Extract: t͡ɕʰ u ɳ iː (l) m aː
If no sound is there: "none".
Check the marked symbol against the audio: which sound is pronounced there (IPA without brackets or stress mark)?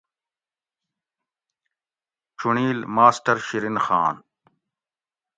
l